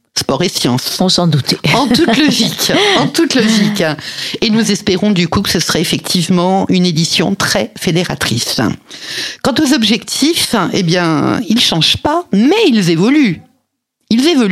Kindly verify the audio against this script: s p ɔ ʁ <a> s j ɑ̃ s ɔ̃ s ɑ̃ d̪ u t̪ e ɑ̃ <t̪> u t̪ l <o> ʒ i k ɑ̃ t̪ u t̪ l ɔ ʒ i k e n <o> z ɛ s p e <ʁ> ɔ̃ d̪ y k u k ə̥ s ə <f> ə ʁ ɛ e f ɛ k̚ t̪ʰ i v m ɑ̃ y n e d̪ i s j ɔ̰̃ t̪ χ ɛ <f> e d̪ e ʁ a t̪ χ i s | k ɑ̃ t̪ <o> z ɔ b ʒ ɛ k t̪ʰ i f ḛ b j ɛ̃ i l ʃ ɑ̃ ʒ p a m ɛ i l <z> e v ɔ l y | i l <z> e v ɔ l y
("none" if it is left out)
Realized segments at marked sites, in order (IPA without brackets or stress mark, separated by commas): e, t̪, ɔ, u, ʁ, s, f, o, z, z